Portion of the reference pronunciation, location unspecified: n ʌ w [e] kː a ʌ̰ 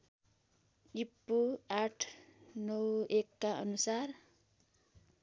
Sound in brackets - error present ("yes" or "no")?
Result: no